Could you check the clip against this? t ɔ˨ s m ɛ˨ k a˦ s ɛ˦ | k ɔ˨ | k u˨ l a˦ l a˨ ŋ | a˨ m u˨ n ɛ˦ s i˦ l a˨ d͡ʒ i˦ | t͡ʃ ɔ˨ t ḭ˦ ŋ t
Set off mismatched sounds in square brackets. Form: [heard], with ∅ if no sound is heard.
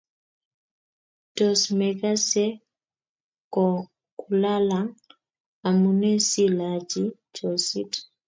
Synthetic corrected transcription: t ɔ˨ s m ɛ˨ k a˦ s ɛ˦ | k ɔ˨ | k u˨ l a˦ l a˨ ŋ | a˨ m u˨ n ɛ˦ s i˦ l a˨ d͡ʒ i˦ | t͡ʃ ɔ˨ [s] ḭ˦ [∅] t